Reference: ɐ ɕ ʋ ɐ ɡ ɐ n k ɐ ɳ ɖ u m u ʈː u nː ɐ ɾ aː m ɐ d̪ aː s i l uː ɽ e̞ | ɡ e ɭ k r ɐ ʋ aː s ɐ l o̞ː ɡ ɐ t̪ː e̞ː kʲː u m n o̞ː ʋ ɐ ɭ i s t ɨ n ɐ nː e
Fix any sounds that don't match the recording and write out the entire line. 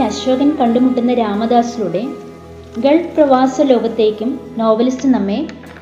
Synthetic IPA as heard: ɐ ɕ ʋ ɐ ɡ ɐ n k ɐ ɳ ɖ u m u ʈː u nː ɐ ɾ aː m ɐ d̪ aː s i l u ɽ e̞ | ɡ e ɭ p r ɐ ʋ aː s ɐ l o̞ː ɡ ɐ t̪ː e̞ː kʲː u m n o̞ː ʋ ɐ l i s t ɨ n ɐ mː e